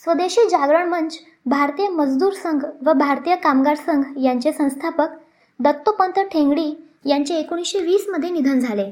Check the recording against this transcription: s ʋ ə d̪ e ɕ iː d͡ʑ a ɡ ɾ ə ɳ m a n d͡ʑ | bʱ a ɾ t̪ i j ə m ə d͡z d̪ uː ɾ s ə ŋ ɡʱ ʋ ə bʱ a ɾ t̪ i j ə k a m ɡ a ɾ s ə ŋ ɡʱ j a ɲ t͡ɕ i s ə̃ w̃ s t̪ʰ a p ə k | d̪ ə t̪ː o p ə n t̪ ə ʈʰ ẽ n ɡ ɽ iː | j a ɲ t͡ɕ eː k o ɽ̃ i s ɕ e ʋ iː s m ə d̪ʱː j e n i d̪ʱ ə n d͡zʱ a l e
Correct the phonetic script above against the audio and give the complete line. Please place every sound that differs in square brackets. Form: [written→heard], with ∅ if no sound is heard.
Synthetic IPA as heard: s ʋ ə d̪ e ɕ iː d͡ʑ a ɡ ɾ ə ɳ m [a→ə] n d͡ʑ | bʱ a ɾ t̪ i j ə m ə d͡z d̪ uː ɾ s ə ŋ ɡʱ ʋ ə bʱ a ɾ t̪ i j ə k a m ɡ a ɾ s ə ŋ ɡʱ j a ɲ t͡ɕ [i→e] s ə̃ w̃ s t̪ʰ a p ə k | d̪ ə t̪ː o p ə n t̪ ə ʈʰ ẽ [n→ŋ] ɡ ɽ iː | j a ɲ t͡ɕ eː k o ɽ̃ i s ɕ e ʋ iː s m ə d̪ʱː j e n i d̪ʱ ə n d͡zʱ a l e